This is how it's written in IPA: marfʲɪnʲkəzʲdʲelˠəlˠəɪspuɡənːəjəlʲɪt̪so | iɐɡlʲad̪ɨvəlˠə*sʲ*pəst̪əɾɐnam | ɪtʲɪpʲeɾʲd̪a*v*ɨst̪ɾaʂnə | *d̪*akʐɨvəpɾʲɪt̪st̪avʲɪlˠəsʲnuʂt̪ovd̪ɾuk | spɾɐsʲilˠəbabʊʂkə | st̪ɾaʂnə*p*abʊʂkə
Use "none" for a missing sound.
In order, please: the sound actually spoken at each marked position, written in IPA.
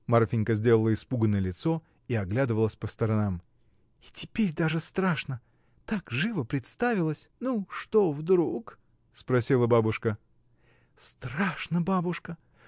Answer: sʲ, ʐ, t̪, b

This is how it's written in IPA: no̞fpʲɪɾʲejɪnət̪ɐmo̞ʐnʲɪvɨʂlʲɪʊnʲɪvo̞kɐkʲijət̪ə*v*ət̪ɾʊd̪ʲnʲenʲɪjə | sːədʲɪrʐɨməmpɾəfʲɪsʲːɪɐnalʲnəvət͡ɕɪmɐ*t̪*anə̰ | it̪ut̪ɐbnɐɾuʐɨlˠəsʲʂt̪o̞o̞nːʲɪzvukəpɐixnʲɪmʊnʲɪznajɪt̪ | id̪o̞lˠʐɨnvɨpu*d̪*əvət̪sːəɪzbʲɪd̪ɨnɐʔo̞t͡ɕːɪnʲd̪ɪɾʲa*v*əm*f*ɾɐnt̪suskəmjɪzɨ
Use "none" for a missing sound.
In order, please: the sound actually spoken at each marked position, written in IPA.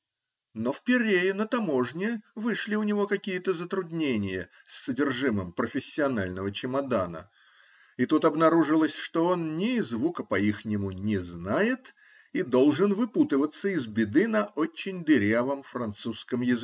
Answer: z, d̪, t̪, v, f

